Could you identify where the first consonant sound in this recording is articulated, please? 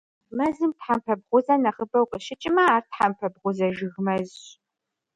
labial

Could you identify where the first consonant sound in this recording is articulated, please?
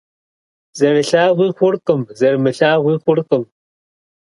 alveolar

